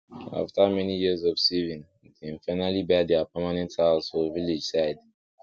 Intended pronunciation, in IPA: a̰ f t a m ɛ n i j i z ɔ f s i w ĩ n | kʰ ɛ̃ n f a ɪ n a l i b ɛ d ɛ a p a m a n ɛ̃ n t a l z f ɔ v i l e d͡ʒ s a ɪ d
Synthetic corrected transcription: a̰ f t a m ɛ n i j i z ɔ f s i v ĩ n | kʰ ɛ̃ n f a ɪ n a l i b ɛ d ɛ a p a m a n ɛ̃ n t a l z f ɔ v i l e d͡ʒ s a ɪ d